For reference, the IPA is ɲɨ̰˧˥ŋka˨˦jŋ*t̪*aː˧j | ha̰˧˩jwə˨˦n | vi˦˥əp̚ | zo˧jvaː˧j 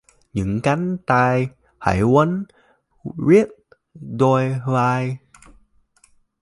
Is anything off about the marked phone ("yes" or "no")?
no